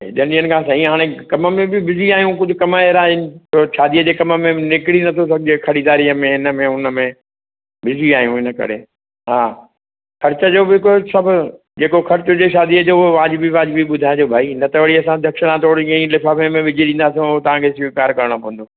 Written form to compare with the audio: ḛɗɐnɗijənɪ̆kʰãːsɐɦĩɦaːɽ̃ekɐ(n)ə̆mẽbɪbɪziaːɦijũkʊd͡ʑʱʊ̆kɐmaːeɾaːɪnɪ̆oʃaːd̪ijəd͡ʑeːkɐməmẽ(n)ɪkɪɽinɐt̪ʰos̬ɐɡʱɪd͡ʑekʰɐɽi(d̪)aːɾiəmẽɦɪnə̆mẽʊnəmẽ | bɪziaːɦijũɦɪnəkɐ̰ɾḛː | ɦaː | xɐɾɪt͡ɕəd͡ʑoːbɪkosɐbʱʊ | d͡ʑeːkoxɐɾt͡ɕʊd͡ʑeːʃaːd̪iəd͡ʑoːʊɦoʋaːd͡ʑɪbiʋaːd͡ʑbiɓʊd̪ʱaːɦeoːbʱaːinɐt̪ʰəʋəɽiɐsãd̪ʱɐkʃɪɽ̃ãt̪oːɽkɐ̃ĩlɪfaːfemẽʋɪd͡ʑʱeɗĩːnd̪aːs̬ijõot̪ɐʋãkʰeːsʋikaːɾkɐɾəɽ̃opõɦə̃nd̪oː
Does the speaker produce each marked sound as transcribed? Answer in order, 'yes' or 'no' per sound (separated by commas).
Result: no, yes, yes